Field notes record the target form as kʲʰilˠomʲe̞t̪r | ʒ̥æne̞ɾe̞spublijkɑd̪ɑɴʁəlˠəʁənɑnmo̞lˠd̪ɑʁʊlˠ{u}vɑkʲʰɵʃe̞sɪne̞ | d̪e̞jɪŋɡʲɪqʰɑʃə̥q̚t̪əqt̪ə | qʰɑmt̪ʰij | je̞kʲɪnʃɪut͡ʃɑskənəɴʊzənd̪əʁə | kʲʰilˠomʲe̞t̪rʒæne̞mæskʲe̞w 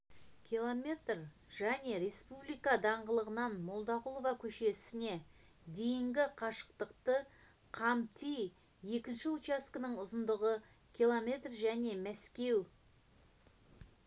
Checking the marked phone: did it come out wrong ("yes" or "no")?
yes